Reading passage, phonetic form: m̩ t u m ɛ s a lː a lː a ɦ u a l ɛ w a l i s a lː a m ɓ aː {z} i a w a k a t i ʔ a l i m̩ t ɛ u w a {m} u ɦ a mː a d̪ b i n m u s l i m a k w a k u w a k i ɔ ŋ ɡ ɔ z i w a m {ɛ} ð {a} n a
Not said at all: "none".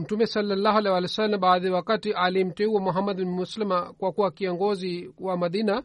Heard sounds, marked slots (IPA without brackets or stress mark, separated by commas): ð, m, a, i